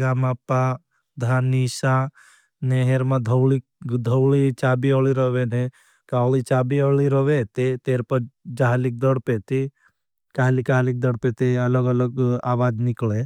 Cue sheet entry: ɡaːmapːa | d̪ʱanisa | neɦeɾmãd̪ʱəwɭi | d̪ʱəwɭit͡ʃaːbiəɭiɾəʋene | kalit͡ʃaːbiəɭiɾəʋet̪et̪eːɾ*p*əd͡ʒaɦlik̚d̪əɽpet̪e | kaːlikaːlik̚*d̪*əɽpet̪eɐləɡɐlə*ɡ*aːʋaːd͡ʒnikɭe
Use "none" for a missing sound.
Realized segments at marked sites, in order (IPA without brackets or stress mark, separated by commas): p, d̪, ɡ